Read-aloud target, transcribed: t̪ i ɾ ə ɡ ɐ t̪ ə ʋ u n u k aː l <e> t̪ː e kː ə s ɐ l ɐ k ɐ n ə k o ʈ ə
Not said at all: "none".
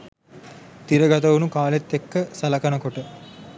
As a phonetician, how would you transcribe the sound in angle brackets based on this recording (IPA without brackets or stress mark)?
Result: e